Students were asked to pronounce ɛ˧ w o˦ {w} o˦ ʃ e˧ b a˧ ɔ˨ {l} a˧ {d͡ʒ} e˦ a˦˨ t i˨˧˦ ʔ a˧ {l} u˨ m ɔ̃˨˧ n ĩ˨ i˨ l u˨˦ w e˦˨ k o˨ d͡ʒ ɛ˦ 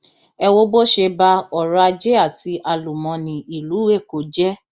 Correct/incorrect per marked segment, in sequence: incorrect: b, incorrect: ɾ, correct, correct

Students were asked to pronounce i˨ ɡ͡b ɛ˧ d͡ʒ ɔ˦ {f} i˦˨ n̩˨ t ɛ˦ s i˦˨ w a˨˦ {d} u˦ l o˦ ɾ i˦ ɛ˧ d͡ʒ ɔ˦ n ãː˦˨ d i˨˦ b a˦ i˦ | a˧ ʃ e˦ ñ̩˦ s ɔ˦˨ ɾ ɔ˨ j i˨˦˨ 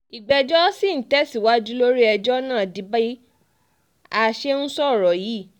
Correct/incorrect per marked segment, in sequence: incorrect: s, incorrect: d͡ʒ

